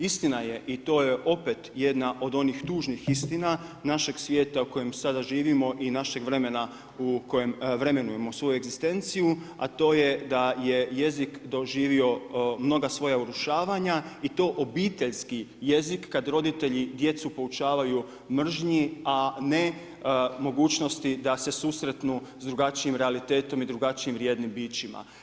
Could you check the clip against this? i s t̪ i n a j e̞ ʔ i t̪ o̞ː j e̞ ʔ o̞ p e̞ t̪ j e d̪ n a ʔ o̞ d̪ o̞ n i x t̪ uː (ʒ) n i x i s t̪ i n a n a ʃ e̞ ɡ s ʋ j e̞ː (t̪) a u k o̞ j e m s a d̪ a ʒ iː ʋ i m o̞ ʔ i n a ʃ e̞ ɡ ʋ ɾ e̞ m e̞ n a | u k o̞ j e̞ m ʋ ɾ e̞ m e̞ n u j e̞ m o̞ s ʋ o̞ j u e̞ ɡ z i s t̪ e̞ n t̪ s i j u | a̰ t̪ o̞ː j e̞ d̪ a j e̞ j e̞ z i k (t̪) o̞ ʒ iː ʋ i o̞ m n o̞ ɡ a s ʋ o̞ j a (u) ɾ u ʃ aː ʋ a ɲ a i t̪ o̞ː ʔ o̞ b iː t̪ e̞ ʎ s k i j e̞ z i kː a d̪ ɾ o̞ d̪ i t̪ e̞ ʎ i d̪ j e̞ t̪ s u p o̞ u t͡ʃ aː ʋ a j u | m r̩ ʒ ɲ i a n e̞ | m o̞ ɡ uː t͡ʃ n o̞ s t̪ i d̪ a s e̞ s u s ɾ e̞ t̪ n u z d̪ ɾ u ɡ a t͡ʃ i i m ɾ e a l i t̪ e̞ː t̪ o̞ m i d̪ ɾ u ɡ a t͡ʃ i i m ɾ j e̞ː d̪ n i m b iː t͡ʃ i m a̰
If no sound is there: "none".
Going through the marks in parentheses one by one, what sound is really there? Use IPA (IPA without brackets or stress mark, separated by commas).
ʒ, t̪, d̪, u